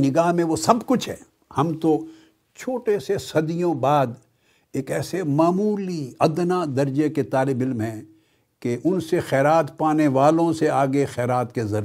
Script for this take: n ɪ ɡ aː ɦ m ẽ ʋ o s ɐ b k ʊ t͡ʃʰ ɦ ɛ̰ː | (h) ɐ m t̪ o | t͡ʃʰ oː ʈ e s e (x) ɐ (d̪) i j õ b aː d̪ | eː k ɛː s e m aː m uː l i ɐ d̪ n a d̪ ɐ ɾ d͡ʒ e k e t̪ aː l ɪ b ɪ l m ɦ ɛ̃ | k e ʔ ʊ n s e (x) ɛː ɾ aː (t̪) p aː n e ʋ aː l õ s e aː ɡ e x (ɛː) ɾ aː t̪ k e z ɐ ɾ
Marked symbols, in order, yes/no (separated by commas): yes, no, yes, yes, yes, yes